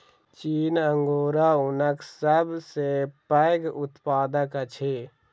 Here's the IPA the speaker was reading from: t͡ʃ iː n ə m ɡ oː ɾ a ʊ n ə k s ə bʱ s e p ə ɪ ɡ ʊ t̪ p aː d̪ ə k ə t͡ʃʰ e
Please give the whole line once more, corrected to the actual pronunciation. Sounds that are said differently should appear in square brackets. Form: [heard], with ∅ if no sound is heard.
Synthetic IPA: t͡ʃ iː n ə [ŋ] ɡ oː ɾ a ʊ n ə k s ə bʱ s e p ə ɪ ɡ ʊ t̪ p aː d̪ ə k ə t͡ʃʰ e